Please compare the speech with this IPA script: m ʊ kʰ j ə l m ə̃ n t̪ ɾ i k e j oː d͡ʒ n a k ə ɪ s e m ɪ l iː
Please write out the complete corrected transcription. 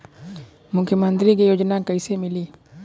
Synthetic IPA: m ʊ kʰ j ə m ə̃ n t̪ ɾ i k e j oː d͡ʒ n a k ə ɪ s e m ɪ l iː